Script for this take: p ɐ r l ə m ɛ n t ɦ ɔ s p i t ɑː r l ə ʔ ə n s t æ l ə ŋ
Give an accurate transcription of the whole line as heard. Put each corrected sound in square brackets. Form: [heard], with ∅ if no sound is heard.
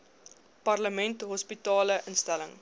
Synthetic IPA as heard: p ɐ r l ə m ɛ n t ɦ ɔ s p i t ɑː [∅] l ə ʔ ə n s t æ l ə ŋ

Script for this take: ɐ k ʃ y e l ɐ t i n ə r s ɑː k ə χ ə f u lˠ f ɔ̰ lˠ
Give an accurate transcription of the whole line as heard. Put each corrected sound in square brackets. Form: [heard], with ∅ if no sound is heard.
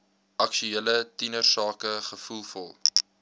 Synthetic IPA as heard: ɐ k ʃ y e l [ə] t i n ə r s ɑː k ə χ ə f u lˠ f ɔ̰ lˠ

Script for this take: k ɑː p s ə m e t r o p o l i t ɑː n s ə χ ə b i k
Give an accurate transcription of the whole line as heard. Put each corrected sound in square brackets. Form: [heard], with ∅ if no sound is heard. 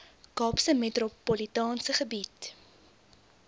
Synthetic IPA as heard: k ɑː p s ə m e t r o p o l i t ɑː n s ə χ ə b i [t]

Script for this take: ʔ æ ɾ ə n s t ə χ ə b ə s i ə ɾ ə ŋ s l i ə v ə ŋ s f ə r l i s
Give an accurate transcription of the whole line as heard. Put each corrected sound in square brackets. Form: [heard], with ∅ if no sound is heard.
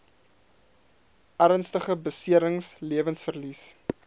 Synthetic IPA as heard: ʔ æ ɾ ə n s t ə χ ə b ə s i ə ɾ ə ŋ s l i ə v ə [n] s f ə r l i s

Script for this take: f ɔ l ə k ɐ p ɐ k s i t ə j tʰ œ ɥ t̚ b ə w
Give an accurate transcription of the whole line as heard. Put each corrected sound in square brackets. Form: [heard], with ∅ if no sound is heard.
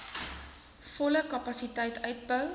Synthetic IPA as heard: f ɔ l ə k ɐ p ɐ [∅] s i t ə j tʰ œ ɥ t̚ b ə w

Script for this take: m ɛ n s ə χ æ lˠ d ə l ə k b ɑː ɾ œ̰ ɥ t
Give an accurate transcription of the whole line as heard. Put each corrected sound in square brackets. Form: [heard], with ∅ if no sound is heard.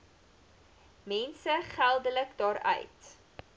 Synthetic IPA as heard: m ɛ n s ə χ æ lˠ d ə l ə k [d] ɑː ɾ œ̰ ɥ t

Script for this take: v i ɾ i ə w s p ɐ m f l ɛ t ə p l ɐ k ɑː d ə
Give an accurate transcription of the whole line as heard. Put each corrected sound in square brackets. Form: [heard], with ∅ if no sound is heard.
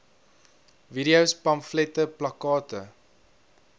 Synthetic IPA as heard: v i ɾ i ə w s p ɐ m f l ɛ t ə p l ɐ k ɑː [t] ə

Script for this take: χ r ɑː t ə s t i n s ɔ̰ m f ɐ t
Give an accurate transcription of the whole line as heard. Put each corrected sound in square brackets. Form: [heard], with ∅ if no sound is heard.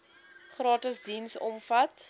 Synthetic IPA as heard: χ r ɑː t ə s [d] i n s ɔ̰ m f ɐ t

